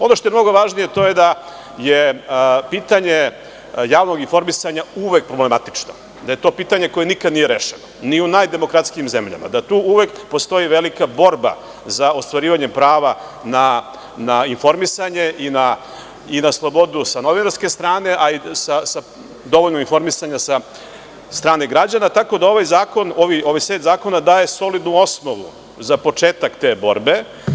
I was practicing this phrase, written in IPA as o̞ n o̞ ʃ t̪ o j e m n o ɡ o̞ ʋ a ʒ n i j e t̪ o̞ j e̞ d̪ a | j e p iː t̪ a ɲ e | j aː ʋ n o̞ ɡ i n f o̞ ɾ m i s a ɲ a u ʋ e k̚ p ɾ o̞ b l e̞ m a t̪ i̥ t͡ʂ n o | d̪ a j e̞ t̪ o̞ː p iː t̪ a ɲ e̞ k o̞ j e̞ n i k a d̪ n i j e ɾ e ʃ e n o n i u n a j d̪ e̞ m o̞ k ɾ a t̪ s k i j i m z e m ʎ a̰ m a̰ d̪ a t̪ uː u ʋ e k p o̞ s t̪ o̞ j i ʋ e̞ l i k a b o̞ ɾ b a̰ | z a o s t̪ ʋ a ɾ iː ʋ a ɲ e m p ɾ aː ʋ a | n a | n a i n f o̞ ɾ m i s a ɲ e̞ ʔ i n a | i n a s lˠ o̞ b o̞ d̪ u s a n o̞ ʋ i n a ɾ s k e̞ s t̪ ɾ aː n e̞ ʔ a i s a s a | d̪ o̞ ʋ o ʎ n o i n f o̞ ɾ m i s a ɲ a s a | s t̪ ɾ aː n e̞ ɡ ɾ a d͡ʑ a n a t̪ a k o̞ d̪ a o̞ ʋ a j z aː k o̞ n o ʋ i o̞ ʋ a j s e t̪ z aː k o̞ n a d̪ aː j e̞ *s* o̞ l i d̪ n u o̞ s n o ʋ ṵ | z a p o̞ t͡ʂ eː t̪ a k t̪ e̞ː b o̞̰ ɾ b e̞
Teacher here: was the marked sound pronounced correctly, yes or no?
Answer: yes